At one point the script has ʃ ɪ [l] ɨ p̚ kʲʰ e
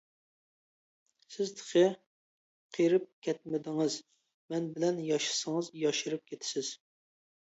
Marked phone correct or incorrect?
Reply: incorrect